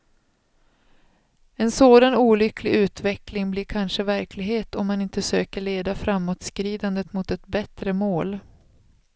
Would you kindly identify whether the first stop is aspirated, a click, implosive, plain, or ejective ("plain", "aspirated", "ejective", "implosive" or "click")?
plain